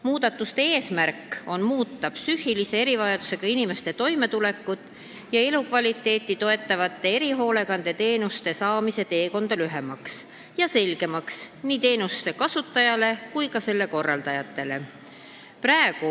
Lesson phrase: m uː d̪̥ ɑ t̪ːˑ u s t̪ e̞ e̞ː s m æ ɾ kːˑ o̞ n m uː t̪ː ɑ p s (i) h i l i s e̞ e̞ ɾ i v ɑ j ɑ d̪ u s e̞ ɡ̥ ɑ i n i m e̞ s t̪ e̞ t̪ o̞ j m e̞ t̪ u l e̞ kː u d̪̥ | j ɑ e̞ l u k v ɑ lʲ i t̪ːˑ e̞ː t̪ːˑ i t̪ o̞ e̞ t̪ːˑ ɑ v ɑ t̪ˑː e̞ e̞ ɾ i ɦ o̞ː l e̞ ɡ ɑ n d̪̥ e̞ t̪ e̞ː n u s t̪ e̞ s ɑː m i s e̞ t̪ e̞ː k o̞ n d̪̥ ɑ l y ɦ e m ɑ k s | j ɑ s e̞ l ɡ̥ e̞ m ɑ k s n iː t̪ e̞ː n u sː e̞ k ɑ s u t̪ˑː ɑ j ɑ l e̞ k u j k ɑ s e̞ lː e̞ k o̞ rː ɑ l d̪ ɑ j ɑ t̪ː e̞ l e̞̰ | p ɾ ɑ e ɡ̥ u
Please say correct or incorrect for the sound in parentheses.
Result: incorrect